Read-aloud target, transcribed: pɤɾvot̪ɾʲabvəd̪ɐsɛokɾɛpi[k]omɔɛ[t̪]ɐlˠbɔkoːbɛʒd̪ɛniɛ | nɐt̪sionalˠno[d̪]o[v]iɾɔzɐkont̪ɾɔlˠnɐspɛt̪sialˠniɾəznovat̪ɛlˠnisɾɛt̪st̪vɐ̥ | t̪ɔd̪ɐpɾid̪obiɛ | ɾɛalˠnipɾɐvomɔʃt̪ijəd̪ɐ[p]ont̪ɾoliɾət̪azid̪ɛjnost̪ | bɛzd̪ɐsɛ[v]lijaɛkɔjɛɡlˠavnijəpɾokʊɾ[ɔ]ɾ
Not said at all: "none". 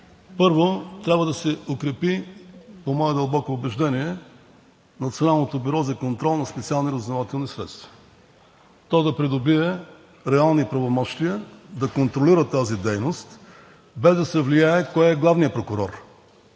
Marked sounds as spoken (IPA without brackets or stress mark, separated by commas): p, d̪, t̪, b, k, v, ɔ